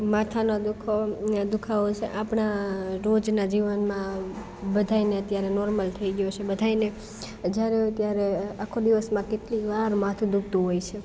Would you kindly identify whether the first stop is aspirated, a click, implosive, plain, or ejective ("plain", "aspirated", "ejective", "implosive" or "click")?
aspirated